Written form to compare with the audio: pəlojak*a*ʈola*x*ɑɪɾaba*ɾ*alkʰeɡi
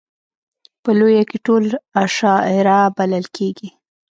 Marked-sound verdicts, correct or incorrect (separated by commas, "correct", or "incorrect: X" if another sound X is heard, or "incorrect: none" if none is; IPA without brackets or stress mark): incorrect: e, incorrect: ʃ, incorrect: l